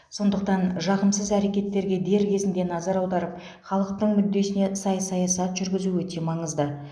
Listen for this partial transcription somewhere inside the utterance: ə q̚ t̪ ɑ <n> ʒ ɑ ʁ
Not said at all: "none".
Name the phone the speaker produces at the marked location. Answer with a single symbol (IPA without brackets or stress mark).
n